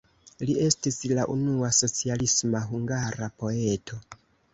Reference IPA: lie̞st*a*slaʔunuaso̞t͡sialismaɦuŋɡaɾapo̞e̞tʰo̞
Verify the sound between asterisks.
incorrect: i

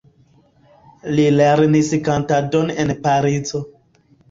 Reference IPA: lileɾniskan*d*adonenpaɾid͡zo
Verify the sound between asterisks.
incorrect: t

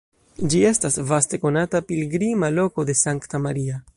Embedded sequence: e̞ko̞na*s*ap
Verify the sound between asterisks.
incorrect: t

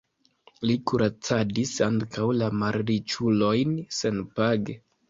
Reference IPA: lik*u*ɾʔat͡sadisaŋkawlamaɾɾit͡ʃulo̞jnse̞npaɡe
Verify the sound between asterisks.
correct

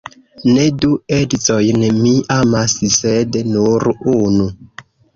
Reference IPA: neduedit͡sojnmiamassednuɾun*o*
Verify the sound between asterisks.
incorrect: u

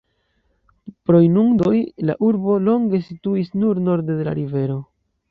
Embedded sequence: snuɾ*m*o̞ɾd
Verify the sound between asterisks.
incorrect: n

